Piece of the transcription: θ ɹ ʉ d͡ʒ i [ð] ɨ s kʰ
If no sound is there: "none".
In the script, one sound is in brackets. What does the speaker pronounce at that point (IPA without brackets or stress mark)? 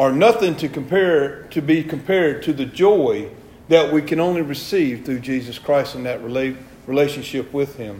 z